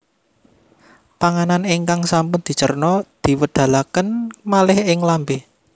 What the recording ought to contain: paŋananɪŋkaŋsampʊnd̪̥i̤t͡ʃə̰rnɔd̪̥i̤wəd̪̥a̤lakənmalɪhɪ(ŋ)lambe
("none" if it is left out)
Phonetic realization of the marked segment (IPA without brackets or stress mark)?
ŋ